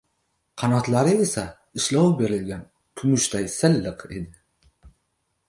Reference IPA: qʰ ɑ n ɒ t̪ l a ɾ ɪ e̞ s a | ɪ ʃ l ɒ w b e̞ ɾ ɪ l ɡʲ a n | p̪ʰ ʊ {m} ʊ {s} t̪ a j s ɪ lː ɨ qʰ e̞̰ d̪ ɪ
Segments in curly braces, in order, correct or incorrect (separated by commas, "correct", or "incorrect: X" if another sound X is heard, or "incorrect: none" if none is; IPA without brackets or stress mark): correct, incorrect: ʃ